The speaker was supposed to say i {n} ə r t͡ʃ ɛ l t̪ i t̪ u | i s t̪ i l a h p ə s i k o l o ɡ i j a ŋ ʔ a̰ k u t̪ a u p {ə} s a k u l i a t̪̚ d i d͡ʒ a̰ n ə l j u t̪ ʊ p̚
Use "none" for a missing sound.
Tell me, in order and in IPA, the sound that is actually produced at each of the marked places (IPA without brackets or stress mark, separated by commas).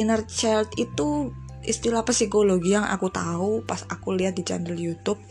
n, a